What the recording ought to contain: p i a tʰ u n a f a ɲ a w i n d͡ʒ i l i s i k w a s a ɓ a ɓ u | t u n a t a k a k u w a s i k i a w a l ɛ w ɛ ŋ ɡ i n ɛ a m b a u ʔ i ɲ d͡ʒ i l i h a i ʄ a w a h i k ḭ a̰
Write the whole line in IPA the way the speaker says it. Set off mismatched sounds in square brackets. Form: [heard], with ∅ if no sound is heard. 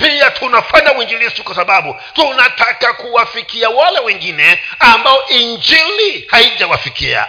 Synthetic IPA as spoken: p i a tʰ u n a f a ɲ a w i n d͡ʒ i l i s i k w a s a ɓ a ɓ u | t u n a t a k a k u w a [f] i k i a w a l ɛ w ɛ ŋ ɡ i n ɛ a m b a [ɔ] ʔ i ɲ d͡ʒ i l i h a i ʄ a w a [f] i k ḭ a̰